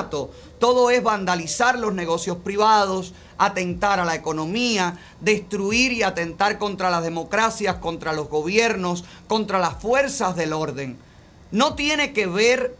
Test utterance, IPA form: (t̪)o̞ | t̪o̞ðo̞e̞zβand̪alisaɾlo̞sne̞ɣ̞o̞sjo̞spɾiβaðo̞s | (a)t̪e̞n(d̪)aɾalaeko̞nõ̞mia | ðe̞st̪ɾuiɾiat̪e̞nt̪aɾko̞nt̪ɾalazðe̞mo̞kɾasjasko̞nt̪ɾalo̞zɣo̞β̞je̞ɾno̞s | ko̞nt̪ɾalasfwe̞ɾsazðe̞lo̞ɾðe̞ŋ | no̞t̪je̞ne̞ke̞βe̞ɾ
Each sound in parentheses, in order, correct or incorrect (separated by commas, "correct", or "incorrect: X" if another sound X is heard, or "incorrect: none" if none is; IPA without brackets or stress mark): correct, correct, incorrect: t̪